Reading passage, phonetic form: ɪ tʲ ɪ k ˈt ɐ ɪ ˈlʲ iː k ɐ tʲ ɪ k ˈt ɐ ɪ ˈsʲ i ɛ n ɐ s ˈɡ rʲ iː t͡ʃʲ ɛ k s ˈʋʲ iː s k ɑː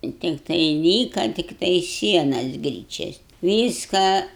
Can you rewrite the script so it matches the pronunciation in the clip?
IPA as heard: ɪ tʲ ɪ k ˈt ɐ ɪ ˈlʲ iː k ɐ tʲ ɪ k ˈt ɐ ɪ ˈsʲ i ɛ n ɐ s ˈɡ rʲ iː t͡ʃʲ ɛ s ˈʋʲ iː s k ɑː